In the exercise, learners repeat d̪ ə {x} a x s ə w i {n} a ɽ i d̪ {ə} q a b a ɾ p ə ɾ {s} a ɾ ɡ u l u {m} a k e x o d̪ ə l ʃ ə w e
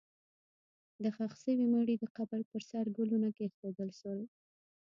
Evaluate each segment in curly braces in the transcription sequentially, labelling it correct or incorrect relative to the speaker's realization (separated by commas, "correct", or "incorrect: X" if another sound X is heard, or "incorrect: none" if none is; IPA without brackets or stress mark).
correct, incorrect: m, correct, correct, incorrect: n